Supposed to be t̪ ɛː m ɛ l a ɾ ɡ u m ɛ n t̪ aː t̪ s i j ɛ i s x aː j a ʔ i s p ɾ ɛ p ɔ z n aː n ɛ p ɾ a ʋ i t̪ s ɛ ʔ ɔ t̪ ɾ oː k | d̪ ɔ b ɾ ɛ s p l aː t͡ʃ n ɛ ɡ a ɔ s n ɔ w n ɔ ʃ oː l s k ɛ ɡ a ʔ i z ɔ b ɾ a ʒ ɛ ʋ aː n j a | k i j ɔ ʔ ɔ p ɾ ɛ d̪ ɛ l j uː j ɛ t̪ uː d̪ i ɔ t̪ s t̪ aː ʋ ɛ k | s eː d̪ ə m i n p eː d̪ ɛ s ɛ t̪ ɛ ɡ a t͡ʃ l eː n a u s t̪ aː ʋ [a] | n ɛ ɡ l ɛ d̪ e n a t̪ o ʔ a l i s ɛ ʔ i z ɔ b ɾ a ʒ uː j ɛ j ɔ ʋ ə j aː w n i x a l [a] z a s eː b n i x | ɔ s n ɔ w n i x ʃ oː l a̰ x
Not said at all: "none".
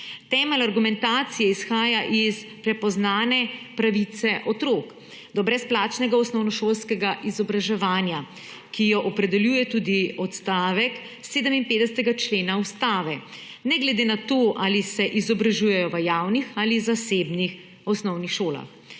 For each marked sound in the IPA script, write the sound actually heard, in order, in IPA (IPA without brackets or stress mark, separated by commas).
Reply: ɛ, i